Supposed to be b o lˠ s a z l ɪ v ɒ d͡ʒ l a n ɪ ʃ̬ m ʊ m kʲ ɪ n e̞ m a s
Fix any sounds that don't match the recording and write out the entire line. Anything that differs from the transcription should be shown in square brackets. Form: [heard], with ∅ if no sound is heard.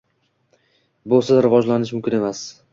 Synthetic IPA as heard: b o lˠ s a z [ɾ] ɪ v ɒ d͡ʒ l a n ɪ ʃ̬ m ʊ m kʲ ɪ n e̞ m a s